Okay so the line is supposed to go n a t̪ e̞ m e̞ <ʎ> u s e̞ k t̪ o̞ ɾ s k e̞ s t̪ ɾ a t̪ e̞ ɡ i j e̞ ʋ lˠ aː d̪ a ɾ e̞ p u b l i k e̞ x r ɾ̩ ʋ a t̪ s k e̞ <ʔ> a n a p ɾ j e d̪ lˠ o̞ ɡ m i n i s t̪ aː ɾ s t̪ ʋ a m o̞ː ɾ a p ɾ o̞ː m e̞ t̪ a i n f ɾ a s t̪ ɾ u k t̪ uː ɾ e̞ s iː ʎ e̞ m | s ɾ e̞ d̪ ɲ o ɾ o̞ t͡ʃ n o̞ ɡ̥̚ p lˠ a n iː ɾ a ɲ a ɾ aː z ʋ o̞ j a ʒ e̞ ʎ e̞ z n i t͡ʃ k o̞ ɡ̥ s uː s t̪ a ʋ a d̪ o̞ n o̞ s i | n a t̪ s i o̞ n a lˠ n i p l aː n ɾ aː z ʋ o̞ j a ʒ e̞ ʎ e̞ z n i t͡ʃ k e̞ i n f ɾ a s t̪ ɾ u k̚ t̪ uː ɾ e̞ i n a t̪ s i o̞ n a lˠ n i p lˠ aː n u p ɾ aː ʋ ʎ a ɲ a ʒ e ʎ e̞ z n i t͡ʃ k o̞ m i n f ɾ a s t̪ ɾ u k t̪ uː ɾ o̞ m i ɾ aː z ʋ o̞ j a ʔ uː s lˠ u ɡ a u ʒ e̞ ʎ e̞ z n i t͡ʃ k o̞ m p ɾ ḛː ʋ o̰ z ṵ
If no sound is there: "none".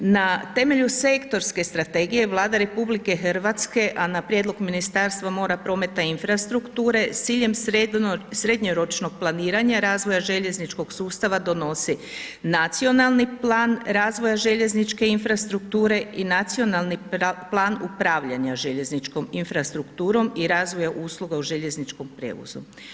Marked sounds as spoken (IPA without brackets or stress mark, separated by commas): ʎ, ʔ